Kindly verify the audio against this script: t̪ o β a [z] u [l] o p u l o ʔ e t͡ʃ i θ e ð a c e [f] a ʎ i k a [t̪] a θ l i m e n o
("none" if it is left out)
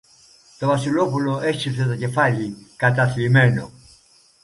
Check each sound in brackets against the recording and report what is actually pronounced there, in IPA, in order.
s, l, f, t̪

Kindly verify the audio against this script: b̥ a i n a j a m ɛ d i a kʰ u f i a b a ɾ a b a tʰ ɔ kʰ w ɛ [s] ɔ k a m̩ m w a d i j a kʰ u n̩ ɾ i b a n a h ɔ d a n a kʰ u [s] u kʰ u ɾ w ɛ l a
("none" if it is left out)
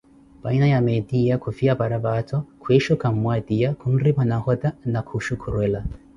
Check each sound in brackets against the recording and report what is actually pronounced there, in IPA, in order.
ʃ, ʃ

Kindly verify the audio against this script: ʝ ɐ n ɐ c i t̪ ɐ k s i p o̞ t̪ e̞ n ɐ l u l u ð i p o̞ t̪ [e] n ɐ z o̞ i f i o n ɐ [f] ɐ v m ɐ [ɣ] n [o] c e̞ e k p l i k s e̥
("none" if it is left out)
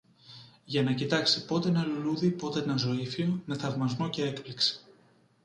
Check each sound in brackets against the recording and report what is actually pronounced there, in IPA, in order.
e, θ, z, o

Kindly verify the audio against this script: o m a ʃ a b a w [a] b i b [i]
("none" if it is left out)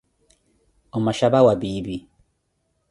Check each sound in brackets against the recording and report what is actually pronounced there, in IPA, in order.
a, i

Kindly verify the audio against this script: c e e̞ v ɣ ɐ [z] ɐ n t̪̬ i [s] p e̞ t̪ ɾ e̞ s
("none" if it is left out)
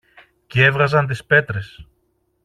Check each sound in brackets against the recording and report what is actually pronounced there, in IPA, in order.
z, s

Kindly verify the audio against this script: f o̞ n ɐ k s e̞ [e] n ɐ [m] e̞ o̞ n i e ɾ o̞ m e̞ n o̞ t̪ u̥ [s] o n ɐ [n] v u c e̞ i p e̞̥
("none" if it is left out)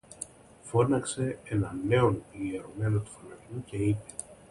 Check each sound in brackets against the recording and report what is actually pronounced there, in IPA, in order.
e, n, f, none

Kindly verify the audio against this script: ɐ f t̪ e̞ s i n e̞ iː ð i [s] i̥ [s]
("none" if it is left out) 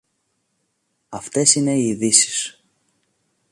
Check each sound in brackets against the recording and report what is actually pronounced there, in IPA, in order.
s, s

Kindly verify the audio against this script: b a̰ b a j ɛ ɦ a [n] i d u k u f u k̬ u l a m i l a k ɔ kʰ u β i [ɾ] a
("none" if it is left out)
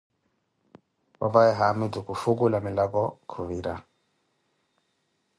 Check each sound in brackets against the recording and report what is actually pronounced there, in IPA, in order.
m, ɾ

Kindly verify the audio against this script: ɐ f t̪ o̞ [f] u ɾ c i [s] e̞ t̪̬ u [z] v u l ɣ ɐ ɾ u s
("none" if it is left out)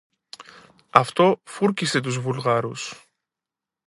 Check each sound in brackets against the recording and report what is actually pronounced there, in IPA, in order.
f, s, z

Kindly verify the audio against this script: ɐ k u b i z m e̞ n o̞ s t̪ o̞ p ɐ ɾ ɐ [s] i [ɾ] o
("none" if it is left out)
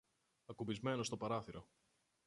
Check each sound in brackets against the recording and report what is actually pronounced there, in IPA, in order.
θ, ɾ

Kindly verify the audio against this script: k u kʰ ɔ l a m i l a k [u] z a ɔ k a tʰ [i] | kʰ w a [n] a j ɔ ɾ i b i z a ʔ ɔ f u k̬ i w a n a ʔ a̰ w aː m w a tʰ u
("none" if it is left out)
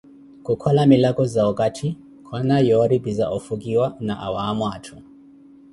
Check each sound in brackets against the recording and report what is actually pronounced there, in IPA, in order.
ɔ, i, n

